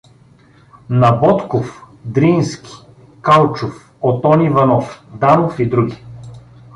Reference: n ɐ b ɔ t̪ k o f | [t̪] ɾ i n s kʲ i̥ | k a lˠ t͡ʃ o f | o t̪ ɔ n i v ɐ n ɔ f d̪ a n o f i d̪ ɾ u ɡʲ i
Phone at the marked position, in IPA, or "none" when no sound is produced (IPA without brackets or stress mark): d̪